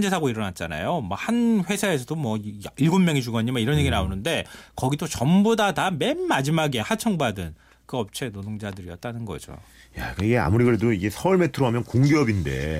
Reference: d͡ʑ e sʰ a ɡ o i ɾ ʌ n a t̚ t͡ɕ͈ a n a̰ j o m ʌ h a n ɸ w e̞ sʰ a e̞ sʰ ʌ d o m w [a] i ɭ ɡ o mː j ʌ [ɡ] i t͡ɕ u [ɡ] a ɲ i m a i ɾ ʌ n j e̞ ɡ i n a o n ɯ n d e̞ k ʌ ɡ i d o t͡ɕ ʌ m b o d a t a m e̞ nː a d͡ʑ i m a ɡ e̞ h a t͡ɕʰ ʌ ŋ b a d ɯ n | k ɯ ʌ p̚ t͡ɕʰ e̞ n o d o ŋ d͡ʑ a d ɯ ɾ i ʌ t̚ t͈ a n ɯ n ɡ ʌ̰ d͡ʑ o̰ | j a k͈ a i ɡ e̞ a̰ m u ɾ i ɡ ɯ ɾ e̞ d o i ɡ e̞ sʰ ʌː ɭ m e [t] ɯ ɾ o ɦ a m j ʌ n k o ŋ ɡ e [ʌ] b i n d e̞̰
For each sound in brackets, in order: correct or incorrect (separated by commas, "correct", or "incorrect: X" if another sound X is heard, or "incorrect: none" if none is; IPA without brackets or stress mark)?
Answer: incorrect: ʌ, incorrect: ŋ, correct, incorrect: tʰ, correct